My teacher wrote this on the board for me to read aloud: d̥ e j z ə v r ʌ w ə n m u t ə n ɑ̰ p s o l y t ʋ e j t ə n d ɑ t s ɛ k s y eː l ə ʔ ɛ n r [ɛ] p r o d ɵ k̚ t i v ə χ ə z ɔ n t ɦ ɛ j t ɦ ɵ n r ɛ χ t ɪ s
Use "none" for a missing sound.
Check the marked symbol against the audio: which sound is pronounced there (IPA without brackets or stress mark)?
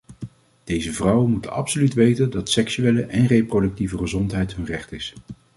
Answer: e